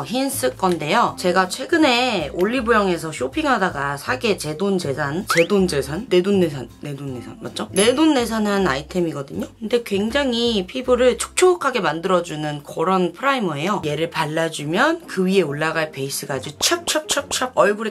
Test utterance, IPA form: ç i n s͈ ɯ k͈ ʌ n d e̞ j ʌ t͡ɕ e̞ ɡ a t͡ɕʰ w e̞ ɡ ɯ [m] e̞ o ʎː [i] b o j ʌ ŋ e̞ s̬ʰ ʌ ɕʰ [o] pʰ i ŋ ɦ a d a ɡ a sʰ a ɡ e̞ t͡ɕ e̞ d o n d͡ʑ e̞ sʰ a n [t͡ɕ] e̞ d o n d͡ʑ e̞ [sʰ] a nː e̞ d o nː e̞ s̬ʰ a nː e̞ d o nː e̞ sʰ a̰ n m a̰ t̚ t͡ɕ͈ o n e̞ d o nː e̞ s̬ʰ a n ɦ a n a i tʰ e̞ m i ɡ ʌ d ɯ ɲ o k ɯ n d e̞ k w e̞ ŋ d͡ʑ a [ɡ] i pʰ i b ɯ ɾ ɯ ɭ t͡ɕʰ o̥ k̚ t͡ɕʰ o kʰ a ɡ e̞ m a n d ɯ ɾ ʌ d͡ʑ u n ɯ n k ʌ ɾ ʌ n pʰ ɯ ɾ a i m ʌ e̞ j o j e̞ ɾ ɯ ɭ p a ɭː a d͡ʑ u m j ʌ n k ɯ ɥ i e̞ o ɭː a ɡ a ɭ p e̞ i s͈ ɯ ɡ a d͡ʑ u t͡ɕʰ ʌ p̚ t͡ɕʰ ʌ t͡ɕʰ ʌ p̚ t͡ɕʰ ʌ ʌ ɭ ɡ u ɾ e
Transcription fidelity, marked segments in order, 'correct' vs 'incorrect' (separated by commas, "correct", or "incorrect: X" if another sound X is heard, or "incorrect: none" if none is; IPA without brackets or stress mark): incorrect: n, correct, correct, correct, correct, incorrect: ŋ